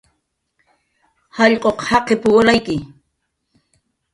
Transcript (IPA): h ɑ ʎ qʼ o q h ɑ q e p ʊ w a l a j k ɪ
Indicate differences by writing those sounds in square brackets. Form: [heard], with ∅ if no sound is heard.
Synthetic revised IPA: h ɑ ʎ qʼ o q h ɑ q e p ʊ w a l a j k ɪ